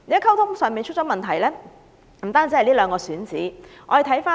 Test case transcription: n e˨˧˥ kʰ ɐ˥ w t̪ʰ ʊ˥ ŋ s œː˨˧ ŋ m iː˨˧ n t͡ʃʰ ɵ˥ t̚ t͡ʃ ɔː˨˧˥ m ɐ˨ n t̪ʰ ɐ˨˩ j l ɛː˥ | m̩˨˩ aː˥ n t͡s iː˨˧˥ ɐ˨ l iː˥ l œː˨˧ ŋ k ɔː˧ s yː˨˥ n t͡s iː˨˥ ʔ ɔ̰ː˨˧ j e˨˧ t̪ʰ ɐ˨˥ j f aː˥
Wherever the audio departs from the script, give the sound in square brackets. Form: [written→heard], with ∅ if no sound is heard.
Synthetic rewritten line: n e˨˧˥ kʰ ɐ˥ w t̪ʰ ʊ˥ ŋ s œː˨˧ ŋ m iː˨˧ n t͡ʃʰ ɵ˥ t̚ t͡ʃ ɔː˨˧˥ m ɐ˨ n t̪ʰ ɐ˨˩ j l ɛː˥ | m̩˨˩ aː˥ n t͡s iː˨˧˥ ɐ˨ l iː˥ l œː˨˧ ŋ k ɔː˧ s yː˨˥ n t͡s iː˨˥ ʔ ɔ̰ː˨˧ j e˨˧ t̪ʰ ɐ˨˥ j f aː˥